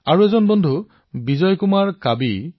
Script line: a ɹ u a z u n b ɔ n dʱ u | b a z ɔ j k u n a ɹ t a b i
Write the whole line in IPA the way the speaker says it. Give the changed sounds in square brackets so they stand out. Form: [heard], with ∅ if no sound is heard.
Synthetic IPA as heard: a ɹ u [e] z [ɔ] n b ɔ n dʱ u | b [i] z ɔ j k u [m] a ɹ [k] a b i